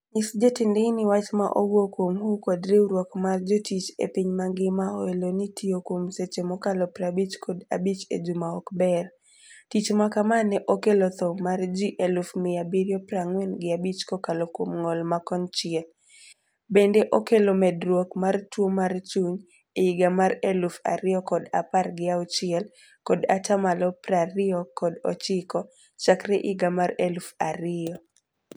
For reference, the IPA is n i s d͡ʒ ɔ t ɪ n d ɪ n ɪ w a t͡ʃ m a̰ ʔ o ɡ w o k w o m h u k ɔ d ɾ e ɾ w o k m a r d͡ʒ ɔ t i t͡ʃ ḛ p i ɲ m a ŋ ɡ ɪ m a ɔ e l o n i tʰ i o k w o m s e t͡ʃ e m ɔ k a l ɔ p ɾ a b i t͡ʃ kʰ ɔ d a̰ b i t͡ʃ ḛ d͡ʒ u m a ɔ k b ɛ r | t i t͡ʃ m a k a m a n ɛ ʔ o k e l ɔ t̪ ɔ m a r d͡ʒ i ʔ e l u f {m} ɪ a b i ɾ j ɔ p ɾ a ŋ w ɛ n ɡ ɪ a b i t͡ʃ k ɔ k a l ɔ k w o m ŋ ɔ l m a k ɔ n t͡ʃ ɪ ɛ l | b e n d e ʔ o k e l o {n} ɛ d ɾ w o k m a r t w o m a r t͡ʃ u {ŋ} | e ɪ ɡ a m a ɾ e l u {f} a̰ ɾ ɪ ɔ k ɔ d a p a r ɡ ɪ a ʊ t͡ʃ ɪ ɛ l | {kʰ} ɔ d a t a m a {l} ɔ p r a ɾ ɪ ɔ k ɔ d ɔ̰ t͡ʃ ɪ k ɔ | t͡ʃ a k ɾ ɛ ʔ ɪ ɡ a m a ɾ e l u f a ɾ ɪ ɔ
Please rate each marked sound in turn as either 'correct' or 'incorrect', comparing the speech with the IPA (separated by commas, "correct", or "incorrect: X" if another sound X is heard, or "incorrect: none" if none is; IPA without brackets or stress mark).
correct, incorrect: m, incorrect: ɲ, correct, incorrect: k, correct